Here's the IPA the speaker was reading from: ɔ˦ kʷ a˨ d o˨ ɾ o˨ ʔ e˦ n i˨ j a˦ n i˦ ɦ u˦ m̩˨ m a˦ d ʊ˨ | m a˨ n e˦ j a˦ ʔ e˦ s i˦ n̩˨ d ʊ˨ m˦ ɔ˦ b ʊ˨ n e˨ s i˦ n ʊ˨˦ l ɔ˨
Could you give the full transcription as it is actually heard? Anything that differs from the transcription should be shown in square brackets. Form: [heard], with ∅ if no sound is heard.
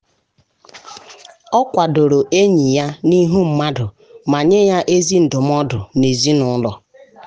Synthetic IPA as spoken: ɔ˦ kʷ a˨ d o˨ ɾ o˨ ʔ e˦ [ɲ] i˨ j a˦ n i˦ ɦ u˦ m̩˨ m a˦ d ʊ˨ | m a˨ [ɲ] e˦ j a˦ ʔ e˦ [z] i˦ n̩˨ d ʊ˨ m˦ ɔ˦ [d] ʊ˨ n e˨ [z] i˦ n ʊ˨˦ l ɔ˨